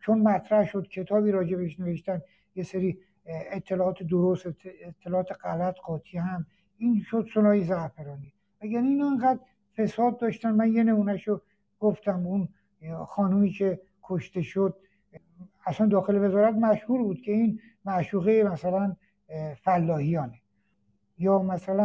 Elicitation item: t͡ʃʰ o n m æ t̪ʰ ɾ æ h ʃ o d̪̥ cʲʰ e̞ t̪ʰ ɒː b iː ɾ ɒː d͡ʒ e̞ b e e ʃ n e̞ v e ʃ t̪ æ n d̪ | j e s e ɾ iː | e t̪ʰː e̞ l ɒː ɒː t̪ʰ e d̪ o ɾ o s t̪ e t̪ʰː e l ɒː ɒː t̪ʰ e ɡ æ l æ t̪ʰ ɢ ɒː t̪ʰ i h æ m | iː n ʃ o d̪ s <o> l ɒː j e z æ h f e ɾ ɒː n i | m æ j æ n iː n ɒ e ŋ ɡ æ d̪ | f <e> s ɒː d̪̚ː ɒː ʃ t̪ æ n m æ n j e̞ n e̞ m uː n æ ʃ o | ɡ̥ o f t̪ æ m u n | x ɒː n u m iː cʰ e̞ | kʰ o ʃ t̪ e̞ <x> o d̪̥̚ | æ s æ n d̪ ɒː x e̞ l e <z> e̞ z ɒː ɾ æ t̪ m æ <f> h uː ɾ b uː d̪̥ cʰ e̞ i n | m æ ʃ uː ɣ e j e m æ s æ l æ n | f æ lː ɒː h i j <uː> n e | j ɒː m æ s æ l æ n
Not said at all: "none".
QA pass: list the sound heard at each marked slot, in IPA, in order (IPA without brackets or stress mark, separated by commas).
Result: o, e, ʃ, v, ʃ, ɒː